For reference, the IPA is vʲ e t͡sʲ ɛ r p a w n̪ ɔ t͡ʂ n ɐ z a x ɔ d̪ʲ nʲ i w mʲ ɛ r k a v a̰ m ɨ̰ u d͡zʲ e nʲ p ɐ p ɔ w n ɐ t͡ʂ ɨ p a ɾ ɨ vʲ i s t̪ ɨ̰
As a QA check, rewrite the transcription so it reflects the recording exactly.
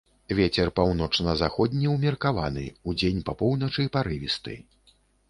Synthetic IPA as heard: vʲ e t͡sʲ ɛ r p a w n̪ ɔ t͡ʂ n ɐ z a x ɔ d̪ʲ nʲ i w mʲ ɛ r k a v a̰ n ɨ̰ u d͡zʲ e nʲ p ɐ p ɔ w n ɐ t͡ʂ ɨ p a ɾ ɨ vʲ i s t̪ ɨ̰